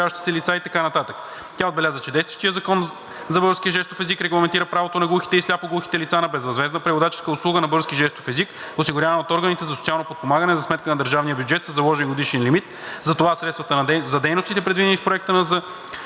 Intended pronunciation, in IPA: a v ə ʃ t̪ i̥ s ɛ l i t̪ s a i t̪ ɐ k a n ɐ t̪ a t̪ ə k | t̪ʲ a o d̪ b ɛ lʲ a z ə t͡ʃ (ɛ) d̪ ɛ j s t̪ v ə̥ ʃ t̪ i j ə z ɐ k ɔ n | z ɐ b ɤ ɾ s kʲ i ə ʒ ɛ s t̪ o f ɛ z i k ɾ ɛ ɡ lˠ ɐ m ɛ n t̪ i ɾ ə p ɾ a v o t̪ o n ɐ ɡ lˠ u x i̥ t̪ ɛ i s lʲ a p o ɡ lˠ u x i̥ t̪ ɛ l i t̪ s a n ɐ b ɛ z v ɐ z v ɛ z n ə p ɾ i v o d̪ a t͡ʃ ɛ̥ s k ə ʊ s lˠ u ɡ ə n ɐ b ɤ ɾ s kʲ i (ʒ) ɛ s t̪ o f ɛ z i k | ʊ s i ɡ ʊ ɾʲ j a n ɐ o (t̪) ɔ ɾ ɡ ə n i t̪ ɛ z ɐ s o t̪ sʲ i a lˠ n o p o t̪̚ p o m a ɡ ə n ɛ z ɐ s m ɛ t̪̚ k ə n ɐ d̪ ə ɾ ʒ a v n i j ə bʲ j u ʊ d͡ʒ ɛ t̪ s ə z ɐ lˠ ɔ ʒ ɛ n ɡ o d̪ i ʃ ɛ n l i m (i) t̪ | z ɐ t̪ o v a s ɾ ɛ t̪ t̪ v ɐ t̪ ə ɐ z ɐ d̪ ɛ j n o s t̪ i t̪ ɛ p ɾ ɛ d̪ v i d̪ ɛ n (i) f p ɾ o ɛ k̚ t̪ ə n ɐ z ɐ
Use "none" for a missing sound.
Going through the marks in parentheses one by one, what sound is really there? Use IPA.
ɛ, ʒ, t̪, i, i

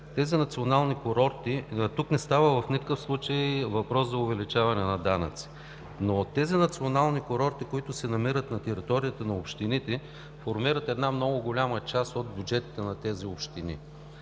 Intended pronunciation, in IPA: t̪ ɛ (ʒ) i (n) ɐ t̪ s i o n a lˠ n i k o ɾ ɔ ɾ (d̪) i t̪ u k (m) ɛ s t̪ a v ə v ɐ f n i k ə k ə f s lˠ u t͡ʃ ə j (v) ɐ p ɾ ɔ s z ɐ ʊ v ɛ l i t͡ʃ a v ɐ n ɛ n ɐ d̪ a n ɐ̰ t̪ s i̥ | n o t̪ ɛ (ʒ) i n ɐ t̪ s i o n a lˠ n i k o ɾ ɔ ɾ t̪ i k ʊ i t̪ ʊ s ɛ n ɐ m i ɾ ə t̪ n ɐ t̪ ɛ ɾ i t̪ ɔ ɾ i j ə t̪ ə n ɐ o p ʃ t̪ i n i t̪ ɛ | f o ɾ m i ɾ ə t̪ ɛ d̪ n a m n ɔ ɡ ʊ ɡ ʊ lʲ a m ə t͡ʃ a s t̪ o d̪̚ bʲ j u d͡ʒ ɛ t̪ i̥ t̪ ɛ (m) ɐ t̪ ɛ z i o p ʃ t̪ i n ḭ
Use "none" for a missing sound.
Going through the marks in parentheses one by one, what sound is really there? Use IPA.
z, n, t̪, n, v, z, n

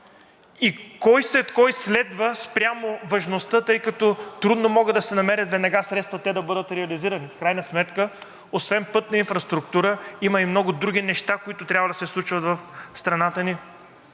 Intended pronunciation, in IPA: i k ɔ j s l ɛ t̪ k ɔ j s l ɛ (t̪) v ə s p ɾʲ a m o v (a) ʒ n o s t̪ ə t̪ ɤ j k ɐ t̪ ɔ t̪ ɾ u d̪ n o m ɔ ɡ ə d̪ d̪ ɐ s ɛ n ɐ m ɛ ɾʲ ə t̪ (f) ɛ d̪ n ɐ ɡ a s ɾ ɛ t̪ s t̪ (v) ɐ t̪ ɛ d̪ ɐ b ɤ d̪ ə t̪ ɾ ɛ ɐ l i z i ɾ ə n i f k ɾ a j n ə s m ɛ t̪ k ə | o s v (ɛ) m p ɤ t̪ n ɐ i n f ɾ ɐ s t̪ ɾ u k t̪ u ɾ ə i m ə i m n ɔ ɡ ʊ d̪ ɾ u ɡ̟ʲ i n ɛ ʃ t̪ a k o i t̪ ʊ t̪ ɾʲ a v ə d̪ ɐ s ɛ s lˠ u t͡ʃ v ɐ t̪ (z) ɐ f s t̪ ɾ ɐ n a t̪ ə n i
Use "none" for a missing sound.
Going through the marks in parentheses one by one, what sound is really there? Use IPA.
d̪, ɐ, v, v, ɛ, v

